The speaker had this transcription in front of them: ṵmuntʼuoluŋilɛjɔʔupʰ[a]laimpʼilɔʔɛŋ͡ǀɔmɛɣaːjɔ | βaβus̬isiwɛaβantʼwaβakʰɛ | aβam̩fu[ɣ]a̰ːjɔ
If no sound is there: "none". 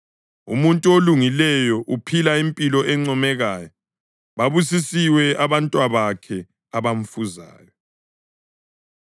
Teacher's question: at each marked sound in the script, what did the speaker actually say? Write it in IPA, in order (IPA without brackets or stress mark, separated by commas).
i, z